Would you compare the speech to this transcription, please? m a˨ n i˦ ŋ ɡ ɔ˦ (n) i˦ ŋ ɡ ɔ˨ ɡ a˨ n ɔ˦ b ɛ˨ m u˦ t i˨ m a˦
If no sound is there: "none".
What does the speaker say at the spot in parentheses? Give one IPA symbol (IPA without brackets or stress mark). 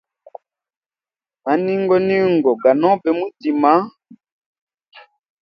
n